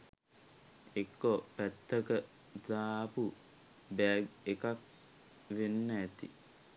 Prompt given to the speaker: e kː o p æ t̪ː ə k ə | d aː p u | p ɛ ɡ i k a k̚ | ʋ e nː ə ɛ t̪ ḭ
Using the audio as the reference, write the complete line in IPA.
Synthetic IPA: e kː o p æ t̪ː ə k ə | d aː p u | b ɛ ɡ e k a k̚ | ʋ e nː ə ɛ t̪ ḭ

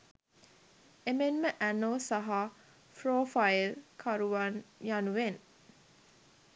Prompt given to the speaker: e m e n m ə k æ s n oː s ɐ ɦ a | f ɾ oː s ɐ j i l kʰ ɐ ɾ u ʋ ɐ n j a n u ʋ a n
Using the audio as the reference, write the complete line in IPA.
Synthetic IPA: e m e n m ə ʔ æ n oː s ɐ ɦ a | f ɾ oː f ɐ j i l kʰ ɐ ɾ u ʋ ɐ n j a n u ʋ e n

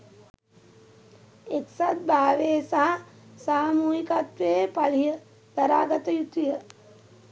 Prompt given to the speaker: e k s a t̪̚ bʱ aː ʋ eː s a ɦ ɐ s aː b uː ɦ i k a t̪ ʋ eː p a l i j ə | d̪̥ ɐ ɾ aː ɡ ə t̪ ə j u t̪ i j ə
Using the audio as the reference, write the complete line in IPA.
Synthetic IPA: e k s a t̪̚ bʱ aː ʋ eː s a ɦ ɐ s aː m uː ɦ i k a t̪ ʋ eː p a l i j ə | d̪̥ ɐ ɾ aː ɡ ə t̪ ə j u t̪ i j ə

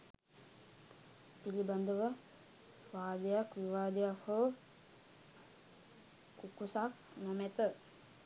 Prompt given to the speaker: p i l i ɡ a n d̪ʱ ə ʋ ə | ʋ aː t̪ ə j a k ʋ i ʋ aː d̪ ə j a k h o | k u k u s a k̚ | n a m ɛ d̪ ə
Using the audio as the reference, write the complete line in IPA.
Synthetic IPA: p i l i b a n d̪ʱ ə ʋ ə | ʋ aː d̪ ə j a k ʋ i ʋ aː d̪ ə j a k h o | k u k u s a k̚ | n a m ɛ t̪ ə

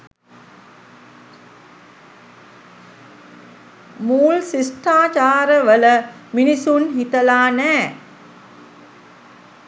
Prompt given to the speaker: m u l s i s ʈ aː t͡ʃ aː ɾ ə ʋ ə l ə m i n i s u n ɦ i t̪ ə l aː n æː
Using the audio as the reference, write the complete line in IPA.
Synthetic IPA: m uː l s i s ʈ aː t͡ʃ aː ɾ ə ʋ ə l ə m i n i s u n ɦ i t̪ ə l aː n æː

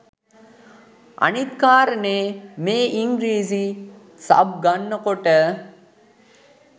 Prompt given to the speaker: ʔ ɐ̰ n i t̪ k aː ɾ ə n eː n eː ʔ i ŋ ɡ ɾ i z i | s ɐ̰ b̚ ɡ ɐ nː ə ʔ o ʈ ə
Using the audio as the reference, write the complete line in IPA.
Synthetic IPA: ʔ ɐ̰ n i t̪ k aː ɾ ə n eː m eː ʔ i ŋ ɡ ɾ iː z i | s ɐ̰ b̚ ɡ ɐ nː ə k o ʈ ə

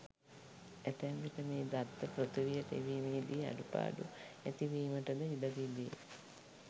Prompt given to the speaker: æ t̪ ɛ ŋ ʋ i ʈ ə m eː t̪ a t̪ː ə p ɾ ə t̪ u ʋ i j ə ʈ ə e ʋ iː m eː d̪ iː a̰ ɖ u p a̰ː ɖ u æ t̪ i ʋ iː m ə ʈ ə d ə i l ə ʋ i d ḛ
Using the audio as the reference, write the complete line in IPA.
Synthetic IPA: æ t̪ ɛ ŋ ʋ i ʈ ə m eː d̪ a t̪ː ə p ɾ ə t̪ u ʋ i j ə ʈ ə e ʋ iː m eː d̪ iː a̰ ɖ u p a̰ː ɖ u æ t̪ i ʋ iː m ə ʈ ə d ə i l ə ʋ i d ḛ

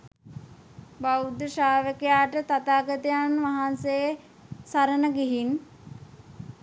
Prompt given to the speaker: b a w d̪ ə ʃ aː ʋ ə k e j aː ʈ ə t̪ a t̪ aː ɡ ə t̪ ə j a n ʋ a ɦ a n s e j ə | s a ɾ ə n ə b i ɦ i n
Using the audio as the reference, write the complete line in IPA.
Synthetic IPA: b a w d̪ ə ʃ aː ʋ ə k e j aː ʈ ə t̪ a t̪ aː ɡ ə t̪ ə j a n ʋ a ɦ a n s e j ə | s a ɾ ə n ə ɡ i ɦ i n

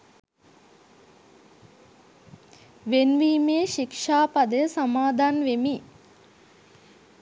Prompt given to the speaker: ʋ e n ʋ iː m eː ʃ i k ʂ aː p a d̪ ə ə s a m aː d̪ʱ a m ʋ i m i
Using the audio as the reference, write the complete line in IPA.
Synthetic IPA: ʋ e n ʋ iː m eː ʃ i k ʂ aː p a d̪ ə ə s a m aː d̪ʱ a n ʋ e m i

